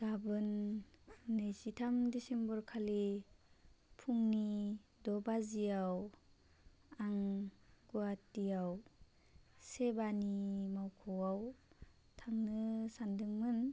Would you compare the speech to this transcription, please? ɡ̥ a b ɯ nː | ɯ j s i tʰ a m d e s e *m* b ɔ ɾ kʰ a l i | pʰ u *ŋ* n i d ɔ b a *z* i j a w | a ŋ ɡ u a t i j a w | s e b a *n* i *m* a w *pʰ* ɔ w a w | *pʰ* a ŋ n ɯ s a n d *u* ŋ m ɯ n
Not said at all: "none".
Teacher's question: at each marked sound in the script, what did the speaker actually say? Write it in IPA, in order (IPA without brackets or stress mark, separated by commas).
m, ŋ, z, n, m, kʰ, tʰ, ɯ